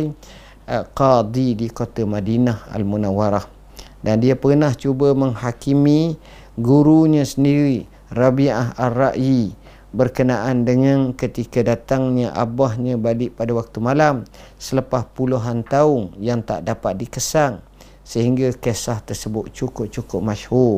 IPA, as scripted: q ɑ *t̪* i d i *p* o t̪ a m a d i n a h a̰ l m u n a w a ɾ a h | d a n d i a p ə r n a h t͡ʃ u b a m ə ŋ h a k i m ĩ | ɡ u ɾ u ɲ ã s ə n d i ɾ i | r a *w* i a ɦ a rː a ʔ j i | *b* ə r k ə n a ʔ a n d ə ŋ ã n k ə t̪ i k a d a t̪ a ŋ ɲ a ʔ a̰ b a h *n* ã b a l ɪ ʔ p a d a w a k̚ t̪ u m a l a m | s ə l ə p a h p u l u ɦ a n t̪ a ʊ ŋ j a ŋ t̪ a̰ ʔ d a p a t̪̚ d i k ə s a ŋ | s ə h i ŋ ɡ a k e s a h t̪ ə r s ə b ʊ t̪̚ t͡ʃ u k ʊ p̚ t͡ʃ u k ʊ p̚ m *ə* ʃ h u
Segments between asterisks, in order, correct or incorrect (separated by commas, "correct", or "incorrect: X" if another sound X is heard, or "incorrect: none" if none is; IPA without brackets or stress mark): incorrect: d̪, incorrect: k, incorrect: b, correct, incorrect: ɲ, incorrect: a